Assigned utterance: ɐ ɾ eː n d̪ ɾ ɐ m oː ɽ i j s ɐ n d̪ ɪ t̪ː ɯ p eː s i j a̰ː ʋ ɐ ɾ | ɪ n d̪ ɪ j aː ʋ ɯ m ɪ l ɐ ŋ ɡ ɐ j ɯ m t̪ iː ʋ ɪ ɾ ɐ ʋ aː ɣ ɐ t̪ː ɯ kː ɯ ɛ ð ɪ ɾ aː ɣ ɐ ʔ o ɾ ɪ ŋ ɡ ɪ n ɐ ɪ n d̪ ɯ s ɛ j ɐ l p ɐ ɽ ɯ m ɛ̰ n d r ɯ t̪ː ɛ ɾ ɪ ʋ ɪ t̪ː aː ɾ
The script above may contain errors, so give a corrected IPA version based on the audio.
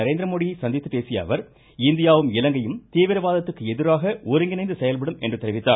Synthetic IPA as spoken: ɐ ɾ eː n d̪ ɾ ɐ m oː ɽ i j s ɐ n d̪ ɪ t̪ː ɯ p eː s ɪ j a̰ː ʋ ɐ ɾ | ɪ n d̪ ɪ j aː ʋ ɯ m ɪ l ɐ ŋ ɡ ɐ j ɯ m t̪ iː ʋ ɪ ɾ ɐ ʋ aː ð ɐ t̪ː ɯ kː ɯ ɛ ð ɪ ɾ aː ɣ ɐ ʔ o ɾ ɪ ŋ ɡ ɪ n ɐ ɪ n d̪ ɯ s ɛ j ɐ l p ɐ ɽ ɯ m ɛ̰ n d r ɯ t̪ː ɛ ɾ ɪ ʋ ɪ t̪ː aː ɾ

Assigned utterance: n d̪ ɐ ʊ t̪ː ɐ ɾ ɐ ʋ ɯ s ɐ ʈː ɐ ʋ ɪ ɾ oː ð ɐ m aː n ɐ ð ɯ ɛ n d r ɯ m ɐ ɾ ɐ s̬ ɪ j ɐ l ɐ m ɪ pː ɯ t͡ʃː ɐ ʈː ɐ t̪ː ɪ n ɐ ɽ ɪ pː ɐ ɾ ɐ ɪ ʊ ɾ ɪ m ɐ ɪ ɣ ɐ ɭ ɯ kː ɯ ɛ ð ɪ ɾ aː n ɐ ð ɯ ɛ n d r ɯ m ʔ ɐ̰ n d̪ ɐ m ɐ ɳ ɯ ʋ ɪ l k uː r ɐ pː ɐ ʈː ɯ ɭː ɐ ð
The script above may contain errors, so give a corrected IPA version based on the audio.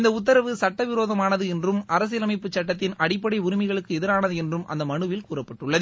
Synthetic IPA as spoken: n d̪ ɐ ʊ t̪ː ɐ ɾ ɐ ʋ ɯ s ɐ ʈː ɐ ʋ ɪ ɾ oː ð ɐ m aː n ɐ ð ɯ ɛ n d r ɯ m ɐ ɾ ɐ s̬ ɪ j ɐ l ɐ m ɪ pː ɯ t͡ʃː ɐ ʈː ɐ t̪ː ɪ n ɐ ɽ ɪ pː ɐ ɽ ɐ ɪ ʊ ɾ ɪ m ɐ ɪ ɣ ɐ ɭ ɯ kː ɯ ɛ ð ɪ ɾ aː n ɐ ð ɯ ɛ n d r ɯ m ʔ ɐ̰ n d̪ ɐ m ɐ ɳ ɯ ʋ ɪ l k uː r ɐ pː ɐ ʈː ɯ ɭː ɐ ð

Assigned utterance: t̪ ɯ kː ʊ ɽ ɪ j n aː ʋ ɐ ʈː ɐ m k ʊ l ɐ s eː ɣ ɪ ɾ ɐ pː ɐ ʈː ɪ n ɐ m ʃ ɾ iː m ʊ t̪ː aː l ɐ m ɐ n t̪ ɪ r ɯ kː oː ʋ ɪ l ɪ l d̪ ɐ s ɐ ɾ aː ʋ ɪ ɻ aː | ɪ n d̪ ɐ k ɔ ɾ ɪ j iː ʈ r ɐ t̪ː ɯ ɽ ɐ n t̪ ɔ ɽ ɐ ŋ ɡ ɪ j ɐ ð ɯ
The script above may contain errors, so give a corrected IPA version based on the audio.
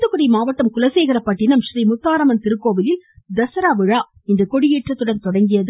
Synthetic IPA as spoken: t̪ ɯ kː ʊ ɽ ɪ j m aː ʋ ɐ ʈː ɐ m k ʊ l ɐ s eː ɣ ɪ ɾ ɐ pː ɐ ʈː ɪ n ɐ m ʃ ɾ iː m ʊ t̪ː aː ɾ ɐ m ɐ n t̪ ɪ ɾ ɯ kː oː ʋ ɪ l ɪ l d̪ ɐ s ɐ ɾ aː ʋ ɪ ɻ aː | ɪ n d̪ ɐ k ɔ ɽ ɪ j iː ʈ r ɐ t̪ː ɯ ɽ ɐ n t̪ ɔ ɽ ɐ ŋ ɡ ɪ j ɐ ð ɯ

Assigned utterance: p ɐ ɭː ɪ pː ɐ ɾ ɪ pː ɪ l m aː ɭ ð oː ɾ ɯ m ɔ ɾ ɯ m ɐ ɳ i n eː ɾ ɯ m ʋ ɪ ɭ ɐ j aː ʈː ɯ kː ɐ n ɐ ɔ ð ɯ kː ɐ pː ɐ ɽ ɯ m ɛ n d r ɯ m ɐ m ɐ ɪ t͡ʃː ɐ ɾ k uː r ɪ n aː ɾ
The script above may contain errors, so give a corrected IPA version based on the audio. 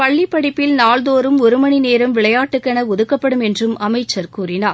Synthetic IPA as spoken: p ɐ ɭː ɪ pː ɐ ɽ ɪ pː ɪ l n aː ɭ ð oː ɾ ɯ m ɔ ɾ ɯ m ɐ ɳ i n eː ɾ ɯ m ʋ ɪ ɭ ɐ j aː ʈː ɯ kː ɐ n ɐ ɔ ð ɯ kː ɐ pː ɐ ɽ ɯ m ɛ n d r ɯ m ɐ m ɐ ɪ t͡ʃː ɐ ɾ k uː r ɪ n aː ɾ

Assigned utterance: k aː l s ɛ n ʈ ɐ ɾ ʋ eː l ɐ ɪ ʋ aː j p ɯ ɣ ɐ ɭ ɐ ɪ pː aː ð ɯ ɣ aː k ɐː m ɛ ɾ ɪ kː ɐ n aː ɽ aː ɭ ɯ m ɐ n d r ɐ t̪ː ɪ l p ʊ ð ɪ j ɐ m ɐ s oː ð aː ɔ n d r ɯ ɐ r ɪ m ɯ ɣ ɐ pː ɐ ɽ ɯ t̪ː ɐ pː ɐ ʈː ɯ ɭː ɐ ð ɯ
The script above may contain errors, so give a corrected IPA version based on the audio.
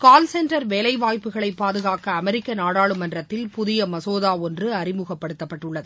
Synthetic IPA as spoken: k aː l s ɛ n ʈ ɐ ɾ ʋ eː l ɐ ɪ ʋ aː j p ɯ ɣ ɐ ɭ ɐ ɪ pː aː ð ɯ ɣ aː k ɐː m ɛ ɾ ɪ kː ɐ n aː ɽ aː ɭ ɯ m ɐ n d r ɐ t̪ː ɪ l p ʊ ð ɪ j ɐ m ɐ s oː ð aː ɔ n d r ɯ ɐ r ɪ m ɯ ɣ ɐ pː ɐ ɽ ɯ t̪ː ɐ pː ɐ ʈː ɯ ɭː ɐ ð ɯ

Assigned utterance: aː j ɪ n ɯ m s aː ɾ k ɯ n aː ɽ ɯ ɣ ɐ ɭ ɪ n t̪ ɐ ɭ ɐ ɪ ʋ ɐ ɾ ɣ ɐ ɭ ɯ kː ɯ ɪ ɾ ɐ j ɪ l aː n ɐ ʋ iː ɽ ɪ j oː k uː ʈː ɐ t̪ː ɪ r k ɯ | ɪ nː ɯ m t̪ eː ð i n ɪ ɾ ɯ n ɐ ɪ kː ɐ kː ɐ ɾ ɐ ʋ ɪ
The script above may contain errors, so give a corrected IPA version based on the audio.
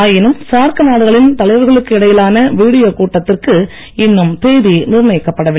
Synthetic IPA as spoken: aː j ɪ n ɯ m s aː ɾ k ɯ n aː ɽ ɯ ɣ ɐ ɭ ɪ n t̪ ɐ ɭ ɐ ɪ ʋ ɐ ɾ ɣ ɐ ɭ ɯ kː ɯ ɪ ɽ ɐ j ɪ l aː n ɐ ʋ iː ɽ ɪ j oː k uː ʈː ɐ t̪ː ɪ r k ɯ | ɪ nː ɯ m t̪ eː ð i n ɪ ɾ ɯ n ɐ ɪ kː ɐ pː ɐ ɽ ɐ ʋ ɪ

